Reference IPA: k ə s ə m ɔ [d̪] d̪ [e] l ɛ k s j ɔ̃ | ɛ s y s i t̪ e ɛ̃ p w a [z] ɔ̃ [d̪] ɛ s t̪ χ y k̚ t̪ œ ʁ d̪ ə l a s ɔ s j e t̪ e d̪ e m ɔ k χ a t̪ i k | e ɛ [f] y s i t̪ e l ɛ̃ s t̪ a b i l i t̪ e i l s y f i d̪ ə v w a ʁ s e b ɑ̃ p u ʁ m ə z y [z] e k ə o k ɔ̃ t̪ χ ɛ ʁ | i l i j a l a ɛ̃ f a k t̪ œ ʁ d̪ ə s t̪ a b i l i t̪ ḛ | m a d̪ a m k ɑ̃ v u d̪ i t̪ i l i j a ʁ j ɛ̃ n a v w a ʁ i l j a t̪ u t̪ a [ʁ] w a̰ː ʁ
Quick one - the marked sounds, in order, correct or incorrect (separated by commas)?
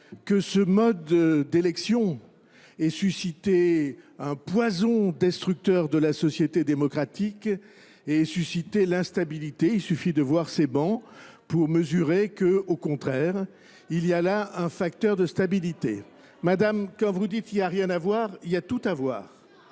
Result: correct, correct, correct, correct, incorrect, incorrect, incorrect